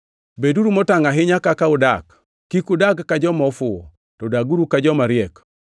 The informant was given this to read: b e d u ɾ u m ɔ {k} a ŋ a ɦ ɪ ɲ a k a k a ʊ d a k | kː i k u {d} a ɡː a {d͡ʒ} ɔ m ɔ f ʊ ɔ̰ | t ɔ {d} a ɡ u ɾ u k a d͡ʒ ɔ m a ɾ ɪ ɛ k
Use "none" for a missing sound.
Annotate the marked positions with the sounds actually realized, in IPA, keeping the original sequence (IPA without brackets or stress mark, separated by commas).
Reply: t, d, d͡ʒ, d